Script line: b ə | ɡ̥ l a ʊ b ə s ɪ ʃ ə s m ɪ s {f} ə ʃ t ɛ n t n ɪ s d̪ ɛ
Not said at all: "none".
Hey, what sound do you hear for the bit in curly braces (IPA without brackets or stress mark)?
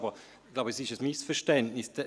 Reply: f